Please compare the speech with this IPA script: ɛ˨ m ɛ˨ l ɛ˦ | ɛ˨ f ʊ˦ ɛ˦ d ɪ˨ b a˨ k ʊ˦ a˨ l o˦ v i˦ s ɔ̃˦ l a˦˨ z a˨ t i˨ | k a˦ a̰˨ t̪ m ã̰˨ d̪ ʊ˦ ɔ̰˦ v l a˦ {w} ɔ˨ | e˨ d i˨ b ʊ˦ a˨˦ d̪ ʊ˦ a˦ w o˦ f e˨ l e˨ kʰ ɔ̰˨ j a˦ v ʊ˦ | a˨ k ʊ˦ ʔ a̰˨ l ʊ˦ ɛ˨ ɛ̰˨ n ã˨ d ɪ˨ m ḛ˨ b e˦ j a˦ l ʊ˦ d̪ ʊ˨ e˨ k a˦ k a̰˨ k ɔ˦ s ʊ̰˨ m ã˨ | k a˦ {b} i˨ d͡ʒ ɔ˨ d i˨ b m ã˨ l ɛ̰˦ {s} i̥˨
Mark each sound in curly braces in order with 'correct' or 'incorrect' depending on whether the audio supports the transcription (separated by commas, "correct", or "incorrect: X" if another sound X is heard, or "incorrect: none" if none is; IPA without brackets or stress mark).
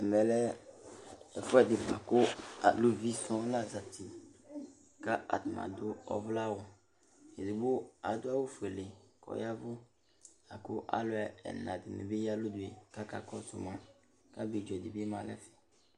correct, correct, incorrect: f